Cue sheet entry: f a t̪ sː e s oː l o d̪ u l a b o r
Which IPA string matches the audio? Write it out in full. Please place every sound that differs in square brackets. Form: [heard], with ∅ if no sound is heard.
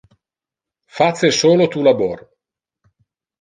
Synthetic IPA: f a t̪ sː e s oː l o [t̪] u l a b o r